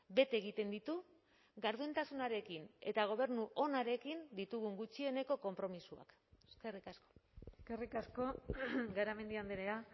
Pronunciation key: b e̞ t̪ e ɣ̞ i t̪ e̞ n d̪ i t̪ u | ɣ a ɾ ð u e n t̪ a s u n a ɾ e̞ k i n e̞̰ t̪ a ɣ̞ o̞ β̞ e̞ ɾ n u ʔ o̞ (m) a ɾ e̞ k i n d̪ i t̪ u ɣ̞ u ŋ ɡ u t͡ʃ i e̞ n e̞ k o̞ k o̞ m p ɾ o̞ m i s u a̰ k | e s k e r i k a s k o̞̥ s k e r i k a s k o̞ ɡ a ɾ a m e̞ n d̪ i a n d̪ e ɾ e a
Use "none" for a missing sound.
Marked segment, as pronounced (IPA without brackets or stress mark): n